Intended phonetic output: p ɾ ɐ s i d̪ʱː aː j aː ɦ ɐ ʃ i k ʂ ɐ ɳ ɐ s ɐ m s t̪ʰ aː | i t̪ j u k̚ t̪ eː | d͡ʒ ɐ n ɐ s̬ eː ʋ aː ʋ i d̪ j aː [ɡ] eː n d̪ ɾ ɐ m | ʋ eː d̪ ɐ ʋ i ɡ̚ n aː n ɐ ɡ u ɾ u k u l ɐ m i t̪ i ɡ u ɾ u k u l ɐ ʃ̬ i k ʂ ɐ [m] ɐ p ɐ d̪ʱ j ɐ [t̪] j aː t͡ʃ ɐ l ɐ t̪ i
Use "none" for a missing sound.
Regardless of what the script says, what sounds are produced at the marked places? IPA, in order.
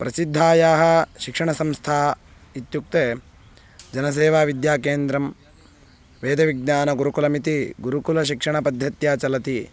k, ɳ, t̪

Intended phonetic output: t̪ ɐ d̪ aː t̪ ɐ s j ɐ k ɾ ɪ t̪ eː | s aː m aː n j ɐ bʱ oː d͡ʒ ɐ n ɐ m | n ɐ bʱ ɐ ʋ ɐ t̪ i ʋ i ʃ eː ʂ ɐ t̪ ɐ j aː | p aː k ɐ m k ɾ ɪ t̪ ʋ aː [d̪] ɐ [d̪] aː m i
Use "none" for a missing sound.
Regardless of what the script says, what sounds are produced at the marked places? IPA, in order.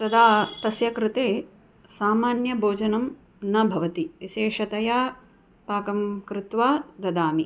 d̪, d̪

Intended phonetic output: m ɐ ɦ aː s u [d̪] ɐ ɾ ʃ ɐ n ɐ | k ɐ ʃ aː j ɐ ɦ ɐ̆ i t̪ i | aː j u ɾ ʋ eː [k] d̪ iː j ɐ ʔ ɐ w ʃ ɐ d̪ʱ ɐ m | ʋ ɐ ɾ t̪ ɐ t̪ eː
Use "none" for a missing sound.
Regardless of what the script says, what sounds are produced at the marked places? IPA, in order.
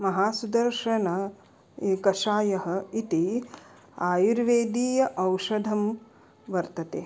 d̪, none

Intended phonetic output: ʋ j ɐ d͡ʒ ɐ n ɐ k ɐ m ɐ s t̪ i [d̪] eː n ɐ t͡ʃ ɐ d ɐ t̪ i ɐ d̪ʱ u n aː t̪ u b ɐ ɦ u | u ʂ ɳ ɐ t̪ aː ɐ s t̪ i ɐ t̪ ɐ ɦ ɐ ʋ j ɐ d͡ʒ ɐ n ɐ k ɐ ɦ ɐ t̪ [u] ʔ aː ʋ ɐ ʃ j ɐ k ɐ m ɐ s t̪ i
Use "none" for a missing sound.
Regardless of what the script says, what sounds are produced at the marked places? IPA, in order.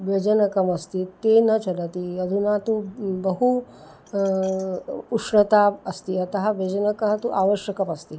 t̪, u

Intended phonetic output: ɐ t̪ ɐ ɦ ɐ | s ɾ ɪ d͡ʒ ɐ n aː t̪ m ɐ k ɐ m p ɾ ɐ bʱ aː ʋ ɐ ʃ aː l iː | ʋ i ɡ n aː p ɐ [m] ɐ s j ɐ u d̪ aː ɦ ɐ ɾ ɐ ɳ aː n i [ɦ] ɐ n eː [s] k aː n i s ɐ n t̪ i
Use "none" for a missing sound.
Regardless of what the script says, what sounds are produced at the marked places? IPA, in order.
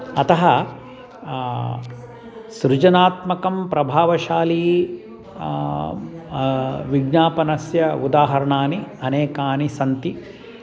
n, none, none

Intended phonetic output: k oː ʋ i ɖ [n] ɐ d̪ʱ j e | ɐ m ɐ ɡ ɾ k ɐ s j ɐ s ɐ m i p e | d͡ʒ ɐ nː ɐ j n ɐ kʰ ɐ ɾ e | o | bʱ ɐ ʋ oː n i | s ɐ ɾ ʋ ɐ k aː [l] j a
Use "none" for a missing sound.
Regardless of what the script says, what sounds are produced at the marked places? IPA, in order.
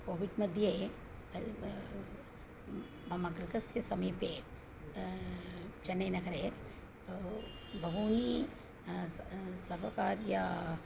m, ɾ

